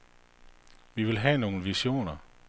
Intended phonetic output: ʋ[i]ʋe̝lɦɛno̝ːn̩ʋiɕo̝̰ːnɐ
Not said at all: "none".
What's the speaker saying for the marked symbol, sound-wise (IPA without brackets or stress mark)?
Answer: i